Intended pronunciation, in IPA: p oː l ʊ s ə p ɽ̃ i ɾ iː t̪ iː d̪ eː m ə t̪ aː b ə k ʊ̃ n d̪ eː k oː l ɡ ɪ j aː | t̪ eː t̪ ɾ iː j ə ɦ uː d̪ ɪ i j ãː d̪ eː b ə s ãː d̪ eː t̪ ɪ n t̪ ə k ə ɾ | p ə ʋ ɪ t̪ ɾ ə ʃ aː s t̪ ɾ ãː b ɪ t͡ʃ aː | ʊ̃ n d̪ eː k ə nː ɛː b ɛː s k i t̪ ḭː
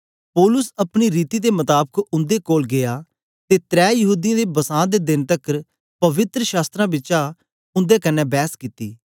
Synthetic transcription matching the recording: p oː l ʊ s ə p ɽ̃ i ɾ iː t̪ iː d̪ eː m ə t̪ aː b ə k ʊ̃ n d̪ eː k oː l ɡ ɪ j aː | t̪ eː t̪ ɾ ɛː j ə ɦ uː d̪ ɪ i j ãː d̪ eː b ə s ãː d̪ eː d̪ ɪ n t̪ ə k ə ɾ | p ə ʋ ɪ t̪ ɾ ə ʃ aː s t̪ ɾ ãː b ɪ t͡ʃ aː | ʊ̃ n d̪ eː k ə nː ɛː b ɛː s k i t̪ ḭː